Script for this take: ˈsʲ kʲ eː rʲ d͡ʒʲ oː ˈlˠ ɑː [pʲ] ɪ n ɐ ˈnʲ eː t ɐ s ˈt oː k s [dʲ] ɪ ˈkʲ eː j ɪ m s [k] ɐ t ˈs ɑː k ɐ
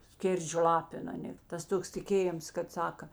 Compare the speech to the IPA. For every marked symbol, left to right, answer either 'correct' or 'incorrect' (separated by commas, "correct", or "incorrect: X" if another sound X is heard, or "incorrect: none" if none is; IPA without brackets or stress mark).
correct, incorrect: tʲ, correct